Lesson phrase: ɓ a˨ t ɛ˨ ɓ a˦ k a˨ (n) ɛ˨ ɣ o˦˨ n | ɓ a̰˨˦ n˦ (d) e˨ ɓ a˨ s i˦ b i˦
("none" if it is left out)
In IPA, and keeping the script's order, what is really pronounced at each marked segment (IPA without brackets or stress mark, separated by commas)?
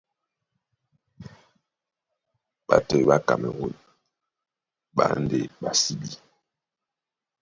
m, d